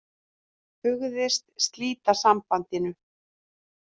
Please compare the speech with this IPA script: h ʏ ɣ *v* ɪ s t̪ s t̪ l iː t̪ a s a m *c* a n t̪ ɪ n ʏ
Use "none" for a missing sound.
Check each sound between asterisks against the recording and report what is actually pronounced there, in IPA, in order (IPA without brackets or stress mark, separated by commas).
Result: ð, p